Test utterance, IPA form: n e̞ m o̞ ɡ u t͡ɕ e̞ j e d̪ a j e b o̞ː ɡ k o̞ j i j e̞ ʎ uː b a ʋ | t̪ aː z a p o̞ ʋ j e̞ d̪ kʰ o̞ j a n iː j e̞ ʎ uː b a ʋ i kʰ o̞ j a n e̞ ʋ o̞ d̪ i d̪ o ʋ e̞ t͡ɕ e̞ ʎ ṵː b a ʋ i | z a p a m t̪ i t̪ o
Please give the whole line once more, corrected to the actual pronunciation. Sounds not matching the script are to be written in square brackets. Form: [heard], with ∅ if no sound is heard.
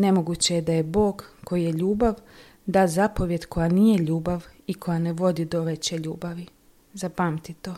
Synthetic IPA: n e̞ m o̞ ɡ u t͡ɕ e̞ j e d̪ a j e b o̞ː ɡ k o̞ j i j e̞ ʎ uː b a ʋ | [d̪] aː z a p o̞ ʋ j e̞ d̪ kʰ o̞ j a n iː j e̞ ʎ uː b a ʋ i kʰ o̞ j a n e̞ ʋ o̞ d̪ i d̪ o ʋ e̞ t͡ɕ e̞ ʎ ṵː b a ʋ i | z a p a m t̪ i t̪ o